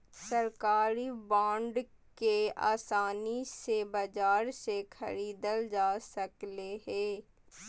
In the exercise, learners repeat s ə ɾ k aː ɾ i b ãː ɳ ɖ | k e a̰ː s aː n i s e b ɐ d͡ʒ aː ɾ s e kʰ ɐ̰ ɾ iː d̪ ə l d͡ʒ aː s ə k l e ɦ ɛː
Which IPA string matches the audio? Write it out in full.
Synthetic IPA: s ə ɾ k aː ɾ i b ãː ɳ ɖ | k e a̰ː s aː n i s e b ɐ d͡ʒ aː ɾ s e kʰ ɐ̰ ɾ iː d̪ ə l d͡ʒ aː s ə k l e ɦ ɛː